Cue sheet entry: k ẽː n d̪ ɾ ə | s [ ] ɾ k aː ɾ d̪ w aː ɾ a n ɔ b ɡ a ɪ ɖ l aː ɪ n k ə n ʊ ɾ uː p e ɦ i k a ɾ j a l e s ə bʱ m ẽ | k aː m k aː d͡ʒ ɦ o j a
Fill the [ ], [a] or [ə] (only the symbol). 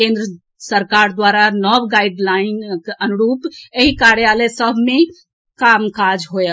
ə